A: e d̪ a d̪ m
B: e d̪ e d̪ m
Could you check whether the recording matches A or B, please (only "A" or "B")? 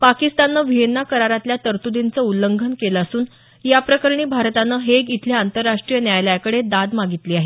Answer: A